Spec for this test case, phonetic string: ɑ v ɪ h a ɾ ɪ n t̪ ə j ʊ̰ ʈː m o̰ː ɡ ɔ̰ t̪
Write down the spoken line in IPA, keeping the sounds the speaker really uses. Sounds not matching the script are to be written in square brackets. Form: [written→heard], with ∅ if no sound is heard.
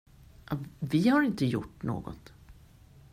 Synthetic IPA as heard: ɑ v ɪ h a ɾ ɪ n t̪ ə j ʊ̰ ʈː [m→n] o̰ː ɡ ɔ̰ t̪